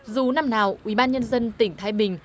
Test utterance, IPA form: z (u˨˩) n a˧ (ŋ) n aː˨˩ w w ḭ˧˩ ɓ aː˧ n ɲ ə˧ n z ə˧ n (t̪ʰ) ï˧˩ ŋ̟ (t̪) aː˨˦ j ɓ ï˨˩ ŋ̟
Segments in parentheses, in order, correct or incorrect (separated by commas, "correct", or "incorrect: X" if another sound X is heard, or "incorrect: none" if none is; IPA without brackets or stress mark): correct, incorrect: m, incorrect: t̪, incorrect: t̪ʰ